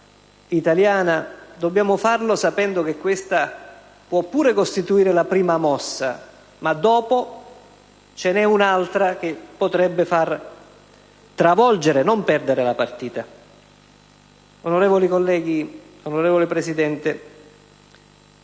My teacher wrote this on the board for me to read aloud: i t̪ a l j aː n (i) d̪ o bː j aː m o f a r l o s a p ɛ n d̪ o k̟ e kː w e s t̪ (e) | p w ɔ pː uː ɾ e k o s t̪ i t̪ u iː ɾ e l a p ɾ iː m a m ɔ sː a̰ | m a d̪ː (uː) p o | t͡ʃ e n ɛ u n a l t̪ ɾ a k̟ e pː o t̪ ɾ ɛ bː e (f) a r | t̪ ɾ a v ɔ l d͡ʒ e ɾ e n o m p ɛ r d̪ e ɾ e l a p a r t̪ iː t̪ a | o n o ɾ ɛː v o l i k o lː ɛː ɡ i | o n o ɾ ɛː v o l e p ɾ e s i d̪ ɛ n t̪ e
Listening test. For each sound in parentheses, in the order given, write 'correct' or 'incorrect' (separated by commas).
incorrect, incorrect, incorrect, correct